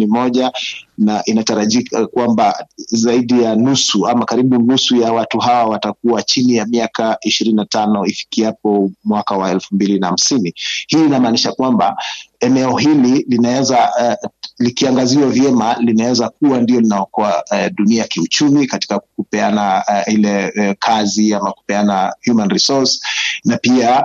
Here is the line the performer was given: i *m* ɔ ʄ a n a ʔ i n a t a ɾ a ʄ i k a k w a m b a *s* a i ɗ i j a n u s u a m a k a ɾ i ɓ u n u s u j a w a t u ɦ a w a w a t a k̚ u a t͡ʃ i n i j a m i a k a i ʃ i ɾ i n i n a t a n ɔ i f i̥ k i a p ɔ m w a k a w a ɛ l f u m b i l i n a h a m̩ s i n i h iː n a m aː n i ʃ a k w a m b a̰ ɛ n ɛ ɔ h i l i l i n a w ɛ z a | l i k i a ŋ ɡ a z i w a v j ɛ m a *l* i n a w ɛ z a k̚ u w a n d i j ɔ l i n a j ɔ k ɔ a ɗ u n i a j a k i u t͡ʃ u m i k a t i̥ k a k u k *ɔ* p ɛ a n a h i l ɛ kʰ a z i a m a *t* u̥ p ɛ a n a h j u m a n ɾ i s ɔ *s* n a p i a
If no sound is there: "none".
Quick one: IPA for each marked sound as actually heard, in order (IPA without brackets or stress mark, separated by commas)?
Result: m, z, l, u, k, s